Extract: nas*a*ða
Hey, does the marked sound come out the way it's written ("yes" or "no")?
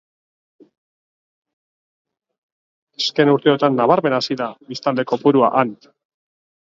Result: no